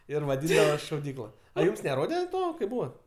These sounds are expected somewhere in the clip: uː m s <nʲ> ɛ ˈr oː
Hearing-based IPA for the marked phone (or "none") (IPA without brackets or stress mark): nʲ